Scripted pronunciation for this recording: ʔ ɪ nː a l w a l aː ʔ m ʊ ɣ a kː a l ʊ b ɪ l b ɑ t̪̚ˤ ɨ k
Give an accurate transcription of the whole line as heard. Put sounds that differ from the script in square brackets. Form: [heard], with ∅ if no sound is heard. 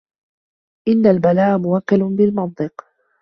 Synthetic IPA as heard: ʔ ɪ nː a l [b] a l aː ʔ m ʊ [w] a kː a l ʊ b ɪ l [m] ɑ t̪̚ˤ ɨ [q]